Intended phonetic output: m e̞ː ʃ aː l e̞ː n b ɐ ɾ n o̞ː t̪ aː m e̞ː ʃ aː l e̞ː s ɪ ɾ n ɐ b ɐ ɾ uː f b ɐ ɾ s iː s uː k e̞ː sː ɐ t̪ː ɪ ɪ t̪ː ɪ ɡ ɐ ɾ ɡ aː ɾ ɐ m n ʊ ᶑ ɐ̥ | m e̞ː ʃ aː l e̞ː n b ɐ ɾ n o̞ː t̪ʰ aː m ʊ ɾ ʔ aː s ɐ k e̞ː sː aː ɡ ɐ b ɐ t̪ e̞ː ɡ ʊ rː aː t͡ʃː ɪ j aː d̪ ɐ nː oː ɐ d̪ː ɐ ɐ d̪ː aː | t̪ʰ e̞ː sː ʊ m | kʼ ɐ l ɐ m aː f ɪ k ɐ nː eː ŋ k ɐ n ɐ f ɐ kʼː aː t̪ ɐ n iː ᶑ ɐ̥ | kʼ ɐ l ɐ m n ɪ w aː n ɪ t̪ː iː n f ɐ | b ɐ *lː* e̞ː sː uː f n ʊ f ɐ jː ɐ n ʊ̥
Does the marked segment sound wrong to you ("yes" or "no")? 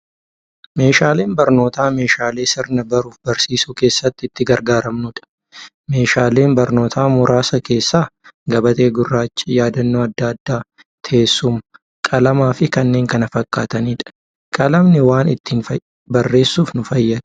yes